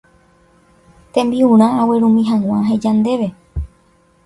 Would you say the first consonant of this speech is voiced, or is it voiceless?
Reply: voiceless